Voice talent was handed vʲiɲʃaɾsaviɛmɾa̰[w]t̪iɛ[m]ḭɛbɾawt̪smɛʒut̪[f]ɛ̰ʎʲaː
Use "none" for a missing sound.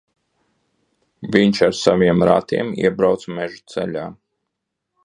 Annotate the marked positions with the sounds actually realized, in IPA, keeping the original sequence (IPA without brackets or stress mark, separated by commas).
none, m, s